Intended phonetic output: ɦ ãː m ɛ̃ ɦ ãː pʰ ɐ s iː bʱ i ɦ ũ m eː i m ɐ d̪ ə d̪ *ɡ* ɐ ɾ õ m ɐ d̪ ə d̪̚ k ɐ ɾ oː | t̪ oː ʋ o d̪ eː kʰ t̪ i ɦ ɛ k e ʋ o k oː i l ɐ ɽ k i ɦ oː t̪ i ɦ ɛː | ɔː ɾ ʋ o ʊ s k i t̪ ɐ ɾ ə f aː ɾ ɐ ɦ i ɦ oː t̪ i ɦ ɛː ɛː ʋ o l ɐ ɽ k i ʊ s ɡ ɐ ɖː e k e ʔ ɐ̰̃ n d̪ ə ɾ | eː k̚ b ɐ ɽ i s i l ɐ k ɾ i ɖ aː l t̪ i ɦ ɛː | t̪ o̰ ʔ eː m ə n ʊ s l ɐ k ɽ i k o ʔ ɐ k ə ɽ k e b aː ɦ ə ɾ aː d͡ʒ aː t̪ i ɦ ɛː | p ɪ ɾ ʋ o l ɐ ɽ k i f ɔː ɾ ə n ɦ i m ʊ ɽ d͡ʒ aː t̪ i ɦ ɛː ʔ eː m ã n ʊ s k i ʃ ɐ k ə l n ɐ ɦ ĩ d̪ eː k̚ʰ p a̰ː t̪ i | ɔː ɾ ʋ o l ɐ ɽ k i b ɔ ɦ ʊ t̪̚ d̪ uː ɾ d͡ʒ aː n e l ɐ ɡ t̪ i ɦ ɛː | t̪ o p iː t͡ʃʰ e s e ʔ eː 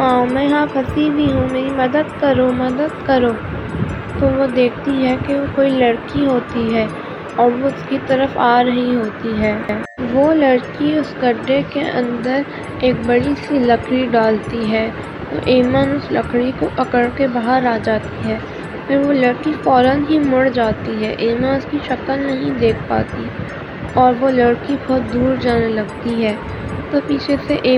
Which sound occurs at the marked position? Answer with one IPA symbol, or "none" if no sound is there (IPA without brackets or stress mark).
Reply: k